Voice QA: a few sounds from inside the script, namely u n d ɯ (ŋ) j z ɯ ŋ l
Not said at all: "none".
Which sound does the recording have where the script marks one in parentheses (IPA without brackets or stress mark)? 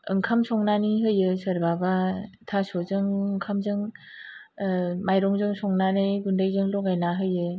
none